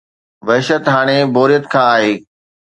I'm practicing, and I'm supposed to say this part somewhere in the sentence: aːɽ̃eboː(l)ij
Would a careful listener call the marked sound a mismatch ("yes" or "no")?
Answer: yes